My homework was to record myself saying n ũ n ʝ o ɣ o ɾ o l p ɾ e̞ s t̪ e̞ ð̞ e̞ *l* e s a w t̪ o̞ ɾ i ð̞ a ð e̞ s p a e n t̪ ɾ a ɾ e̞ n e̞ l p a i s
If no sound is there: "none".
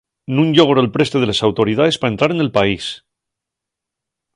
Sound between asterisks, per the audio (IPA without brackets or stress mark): l